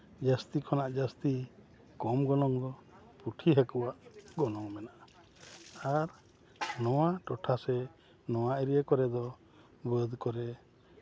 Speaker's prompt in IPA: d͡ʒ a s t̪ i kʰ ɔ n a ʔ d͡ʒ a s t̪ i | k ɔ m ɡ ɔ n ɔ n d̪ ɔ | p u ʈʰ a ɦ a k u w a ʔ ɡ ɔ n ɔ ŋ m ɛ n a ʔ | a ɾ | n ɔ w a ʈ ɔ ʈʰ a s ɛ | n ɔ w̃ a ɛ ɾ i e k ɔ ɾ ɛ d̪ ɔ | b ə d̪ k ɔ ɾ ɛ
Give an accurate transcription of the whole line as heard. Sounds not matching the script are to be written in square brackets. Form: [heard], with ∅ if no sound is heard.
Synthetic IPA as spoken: d͡ʒ a s t̪ i kʰ ɔ n a ʔ d͡ʒ a s t̪ i | k ɔ m ɡ ɔ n ɔ [ŋ] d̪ ɔ | p u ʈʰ [i] ɦ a k u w a ʔ ɡ ɔ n ɔ ŋ m ɛ n a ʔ | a ɾ | n ɔ w a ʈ ɔ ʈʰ a s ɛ | n ɔ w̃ a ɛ ɾ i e k ɔ ɾ ɛ d̪ ɔ | b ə d̪ k ɔ ɾ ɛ